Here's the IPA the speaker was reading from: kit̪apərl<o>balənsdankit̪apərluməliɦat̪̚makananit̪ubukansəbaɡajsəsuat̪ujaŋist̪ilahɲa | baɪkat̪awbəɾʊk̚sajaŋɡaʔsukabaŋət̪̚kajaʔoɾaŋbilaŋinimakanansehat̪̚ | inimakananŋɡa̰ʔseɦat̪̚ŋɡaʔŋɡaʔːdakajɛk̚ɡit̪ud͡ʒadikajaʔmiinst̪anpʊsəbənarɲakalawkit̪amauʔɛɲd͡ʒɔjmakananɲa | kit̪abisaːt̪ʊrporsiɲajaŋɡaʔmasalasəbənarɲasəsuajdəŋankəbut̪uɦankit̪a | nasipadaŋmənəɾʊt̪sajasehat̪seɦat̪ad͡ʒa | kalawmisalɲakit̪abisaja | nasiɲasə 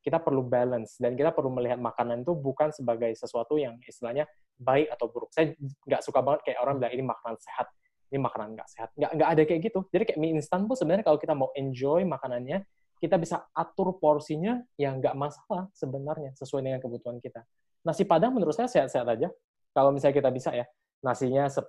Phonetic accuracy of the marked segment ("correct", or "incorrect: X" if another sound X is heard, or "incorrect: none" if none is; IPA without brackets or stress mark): incorrect: u